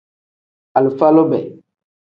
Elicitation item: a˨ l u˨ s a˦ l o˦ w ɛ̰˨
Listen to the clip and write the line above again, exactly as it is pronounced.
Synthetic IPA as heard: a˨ l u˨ f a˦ l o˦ b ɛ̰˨